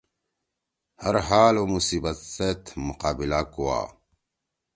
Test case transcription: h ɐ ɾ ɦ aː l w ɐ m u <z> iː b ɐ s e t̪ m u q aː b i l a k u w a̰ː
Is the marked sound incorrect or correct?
incorrect